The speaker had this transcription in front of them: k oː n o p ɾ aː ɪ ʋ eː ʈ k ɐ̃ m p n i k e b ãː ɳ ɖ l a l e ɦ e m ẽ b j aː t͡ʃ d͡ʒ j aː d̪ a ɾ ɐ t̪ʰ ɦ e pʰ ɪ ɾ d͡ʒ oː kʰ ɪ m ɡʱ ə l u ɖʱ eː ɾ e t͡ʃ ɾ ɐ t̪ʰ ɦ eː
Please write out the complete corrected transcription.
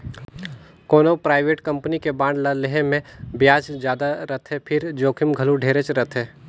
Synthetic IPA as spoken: k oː n o p ɾ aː ɪ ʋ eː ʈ k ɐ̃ m p n i k e b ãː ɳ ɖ l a l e ɦ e m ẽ b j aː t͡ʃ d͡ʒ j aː d̪ a ɾ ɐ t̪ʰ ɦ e pʰ ɪ ɾ d͡ʒ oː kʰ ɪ m ɡʱ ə l u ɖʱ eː ɾ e t͡ʃ ɾ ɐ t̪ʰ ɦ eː

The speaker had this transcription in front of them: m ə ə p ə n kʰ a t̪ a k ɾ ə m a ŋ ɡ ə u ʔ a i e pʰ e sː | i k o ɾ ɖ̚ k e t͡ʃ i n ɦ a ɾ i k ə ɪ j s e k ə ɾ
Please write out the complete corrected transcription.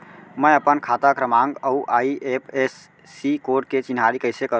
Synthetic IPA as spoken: m ə ə p ə n kʰ a t̪ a k ɾ ə m a ŋ ɡ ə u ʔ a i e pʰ e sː | i k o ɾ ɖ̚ k e t͡ʃ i n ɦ a ɾ i k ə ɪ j s e k ə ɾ

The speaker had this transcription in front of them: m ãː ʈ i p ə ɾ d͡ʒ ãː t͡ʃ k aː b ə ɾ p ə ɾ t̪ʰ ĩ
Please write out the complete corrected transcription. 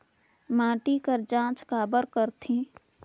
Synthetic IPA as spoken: m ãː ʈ i k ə ɾ d͡ʒ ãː t͡ʃ k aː b ə ɾ k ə ɾ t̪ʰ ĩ

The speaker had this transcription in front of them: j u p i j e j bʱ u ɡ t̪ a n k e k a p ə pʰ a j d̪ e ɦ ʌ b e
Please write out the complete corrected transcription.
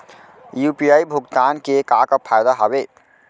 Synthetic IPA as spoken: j u p i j a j bʱ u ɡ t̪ a n k e k a k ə pʰ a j d̪ a ɦ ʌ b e

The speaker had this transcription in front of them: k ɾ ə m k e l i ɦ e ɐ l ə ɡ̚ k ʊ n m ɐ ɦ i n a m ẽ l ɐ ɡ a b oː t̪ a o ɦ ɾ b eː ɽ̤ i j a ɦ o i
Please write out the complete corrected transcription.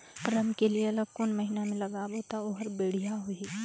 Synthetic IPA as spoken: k ɾ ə m k e l i e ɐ l ə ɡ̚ k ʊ n m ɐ ɦ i n a m ẽ l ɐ ɡ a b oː t̪ a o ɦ ɾ b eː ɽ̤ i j a ɦ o i

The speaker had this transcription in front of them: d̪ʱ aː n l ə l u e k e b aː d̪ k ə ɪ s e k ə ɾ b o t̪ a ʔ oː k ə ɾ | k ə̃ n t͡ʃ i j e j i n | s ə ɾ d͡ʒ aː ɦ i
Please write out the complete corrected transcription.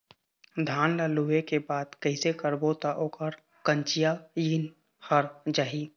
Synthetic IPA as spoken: d̪ʱ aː n l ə l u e k e b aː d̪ k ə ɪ s e k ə ɾ b o t̪ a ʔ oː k ə ɾ | k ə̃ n t͡ʃ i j a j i n | h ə ɾ d͡ʒ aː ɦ i

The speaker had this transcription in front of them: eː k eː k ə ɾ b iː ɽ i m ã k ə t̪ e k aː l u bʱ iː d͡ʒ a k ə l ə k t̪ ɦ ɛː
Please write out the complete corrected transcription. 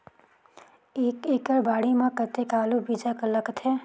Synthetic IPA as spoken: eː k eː k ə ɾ b aː ɽ i m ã k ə t̪ e k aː l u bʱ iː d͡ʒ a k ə l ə k t̪ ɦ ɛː

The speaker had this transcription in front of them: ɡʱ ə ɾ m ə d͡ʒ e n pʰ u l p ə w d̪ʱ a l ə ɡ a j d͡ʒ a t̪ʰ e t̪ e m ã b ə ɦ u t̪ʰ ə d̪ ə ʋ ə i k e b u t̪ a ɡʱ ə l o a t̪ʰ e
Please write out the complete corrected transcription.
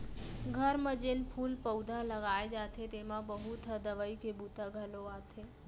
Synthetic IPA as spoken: ɡʱ ə ɾ m ə d͡ʒ e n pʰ u l p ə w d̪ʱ a l ə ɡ a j d͡ʒ a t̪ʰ e t̪ e m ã b ə ɦ u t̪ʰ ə d̪ ə ʋ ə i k e b u t̪ a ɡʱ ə l o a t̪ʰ e

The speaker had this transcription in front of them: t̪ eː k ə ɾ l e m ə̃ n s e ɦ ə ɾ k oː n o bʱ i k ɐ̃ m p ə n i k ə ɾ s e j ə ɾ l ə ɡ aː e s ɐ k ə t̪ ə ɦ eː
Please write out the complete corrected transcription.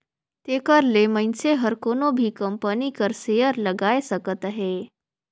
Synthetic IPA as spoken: t̪ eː k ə ɾ l e m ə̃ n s e ɦ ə ɾ k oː n o bʱ i k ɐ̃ m p ə n i k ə ɾ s e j ə ɾ l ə ɡ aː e s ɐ k ə t̪ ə ɦ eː

